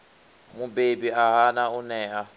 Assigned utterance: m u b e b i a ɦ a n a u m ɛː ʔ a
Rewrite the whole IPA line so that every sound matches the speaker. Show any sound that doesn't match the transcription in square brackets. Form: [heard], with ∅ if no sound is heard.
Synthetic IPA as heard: m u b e b i a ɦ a n a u [n] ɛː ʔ a